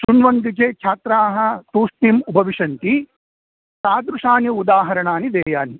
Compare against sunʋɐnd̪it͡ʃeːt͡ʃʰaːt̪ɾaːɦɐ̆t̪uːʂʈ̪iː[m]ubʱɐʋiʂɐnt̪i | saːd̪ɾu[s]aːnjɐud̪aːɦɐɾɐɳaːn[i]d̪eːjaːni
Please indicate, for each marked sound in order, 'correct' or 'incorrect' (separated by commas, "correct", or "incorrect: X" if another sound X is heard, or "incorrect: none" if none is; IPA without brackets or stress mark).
correct, incorrect: ʂ, correct